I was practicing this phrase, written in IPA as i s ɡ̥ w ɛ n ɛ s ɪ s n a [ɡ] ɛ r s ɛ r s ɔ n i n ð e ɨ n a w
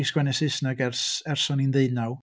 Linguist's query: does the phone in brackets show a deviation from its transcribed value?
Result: no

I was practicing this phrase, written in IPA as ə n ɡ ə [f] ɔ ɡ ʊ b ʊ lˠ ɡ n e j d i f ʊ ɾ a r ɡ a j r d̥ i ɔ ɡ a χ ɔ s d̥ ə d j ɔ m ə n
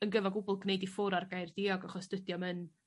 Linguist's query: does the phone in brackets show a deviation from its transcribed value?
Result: yes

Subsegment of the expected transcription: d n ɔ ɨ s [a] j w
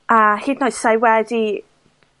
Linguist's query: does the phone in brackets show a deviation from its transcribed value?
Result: no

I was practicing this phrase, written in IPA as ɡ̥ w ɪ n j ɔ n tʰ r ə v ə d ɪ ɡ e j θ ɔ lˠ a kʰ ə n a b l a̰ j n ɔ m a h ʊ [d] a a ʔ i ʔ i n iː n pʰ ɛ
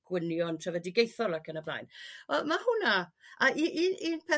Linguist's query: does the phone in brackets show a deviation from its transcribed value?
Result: yes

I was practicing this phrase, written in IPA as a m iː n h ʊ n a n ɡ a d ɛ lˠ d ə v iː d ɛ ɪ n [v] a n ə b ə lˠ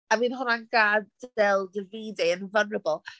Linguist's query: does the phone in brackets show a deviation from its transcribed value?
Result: no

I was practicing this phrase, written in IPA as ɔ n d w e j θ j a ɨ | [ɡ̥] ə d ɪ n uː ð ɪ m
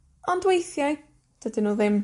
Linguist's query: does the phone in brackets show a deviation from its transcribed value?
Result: yes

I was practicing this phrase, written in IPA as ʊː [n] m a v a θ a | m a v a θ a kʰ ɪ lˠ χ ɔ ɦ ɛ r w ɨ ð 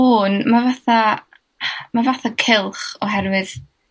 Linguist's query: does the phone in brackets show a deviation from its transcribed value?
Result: no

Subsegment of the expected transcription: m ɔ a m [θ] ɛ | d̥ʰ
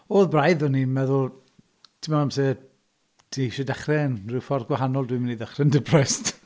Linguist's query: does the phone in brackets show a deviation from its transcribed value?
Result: yes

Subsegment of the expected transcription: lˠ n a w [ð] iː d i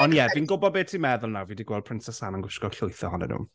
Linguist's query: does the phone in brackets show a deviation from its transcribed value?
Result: yes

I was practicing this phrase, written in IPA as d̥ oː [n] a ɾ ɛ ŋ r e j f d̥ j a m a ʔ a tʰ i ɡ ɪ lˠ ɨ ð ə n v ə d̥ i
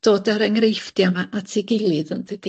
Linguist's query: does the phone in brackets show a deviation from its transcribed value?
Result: yes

